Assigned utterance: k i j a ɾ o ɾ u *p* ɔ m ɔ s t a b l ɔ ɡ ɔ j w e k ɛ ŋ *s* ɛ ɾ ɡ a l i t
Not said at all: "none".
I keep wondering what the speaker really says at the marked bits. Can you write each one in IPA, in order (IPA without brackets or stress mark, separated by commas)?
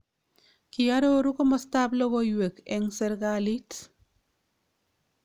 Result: k, s